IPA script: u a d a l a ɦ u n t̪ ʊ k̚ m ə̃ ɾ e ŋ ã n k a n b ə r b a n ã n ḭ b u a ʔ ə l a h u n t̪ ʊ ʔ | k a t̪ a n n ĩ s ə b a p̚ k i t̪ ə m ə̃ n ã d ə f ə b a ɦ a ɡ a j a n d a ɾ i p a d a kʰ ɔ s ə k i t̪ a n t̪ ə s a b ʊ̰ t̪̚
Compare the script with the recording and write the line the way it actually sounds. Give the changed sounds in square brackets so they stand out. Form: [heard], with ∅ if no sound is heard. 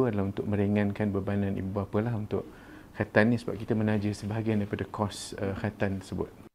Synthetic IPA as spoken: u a d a l a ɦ u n t̪ ʊ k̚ m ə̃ ɾ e ŋ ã n k a n b ə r b a n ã n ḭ b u a [p] ə l a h u n t̪ ʊ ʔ | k a t̪ a n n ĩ s ə b a p̚ k i t̪ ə m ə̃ n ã [d͡ʒ] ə [s] ə b a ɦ a ɡ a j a n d a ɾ i p a d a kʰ ɔ s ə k [a] t̪ a n t̪ ə s [ə] b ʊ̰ t̪̚